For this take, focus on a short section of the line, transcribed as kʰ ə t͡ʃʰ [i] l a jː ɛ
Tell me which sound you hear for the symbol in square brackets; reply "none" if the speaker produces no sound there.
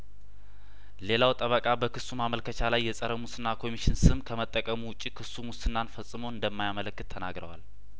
a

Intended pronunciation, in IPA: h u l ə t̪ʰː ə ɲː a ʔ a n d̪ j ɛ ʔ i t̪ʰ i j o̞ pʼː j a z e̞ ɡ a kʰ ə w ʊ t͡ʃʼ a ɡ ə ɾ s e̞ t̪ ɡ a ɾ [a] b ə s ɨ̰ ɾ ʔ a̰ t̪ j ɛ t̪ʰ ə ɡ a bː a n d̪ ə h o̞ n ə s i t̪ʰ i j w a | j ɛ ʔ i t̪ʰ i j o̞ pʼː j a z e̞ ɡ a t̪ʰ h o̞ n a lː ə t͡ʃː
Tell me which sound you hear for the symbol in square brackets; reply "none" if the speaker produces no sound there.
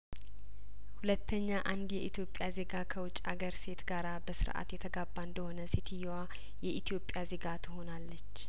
a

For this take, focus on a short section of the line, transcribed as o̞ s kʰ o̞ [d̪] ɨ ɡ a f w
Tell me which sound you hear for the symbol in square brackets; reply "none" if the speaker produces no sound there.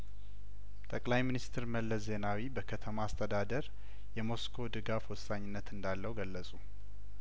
d̪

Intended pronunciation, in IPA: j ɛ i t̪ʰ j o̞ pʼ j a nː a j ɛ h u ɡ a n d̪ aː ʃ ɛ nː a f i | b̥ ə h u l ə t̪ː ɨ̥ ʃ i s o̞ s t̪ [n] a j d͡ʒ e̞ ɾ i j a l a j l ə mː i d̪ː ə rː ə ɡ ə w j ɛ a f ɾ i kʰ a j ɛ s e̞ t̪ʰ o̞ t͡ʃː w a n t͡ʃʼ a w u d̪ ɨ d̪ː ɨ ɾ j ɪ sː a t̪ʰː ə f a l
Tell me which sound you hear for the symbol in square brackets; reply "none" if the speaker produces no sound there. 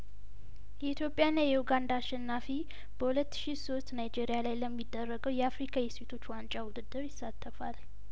n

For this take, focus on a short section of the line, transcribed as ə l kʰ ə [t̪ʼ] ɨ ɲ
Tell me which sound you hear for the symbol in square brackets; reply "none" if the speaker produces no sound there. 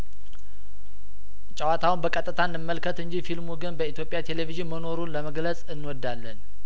t̪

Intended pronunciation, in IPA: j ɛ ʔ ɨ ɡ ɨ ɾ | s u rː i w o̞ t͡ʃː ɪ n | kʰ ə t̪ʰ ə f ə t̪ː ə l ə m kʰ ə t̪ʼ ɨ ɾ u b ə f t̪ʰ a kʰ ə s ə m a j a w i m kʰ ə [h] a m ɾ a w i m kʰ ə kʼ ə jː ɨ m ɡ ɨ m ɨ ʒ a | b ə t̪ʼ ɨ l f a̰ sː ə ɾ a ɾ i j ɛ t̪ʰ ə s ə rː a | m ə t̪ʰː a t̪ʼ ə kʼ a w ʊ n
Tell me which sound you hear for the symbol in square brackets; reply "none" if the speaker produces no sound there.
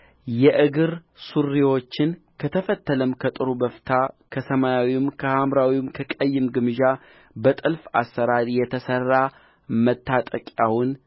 h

